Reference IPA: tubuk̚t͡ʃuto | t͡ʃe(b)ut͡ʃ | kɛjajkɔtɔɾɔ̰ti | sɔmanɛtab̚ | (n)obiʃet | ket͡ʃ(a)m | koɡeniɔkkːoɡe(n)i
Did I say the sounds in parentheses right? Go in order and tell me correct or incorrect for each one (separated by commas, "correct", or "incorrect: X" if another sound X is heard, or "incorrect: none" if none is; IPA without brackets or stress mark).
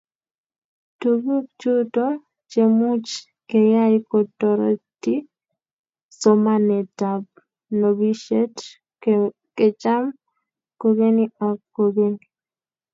incorrect: m, correct, correct, correct